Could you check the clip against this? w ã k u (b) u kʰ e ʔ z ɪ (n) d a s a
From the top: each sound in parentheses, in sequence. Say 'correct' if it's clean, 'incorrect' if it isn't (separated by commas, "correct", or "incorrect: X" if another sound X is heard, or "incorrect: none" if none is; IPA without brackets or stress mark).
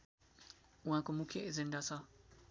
incorrect: m, correct